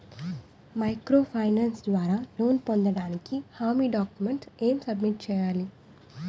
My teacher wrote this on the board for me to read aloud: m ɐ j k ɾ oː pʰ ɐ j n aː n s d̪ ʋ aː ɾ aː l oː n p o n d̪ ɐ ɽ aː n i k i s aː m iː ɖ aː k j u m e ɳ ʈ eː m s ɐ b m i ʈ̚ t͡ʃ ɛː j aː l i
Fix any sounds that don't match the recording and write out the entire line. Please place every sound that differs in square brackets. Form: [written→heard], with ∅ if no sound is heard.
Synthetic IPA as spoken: m ɐ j k ɾ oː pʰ ɐ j n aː n s d̪ ʋ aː ɾ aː l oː n p o n d̪ ɐ ɽ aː n i k i [s→h] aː m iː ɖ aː k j u m e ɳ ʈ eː m s ɐ b m i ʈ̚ t͡ʃ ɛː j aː l i